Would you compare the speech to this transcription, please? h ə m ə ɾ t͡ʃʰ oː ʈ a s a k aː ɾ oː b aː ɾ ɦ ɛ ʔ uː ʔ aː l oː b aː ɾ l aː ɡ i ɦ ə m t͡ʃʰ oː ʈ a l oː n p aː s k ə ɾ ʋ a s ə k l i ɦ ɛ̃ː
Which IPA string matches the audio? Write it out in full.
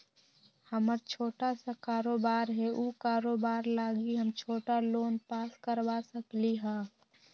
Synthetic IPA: h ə m ə ɾ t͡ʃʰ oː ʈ a s a k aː ɾ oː b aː ɾ ɦ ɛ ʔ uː k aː ɾ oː b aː ɾ l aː ɡ i ɦ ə m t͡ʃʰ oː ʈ a l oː n p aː s k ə ɾ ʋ a s ə k l i ɦ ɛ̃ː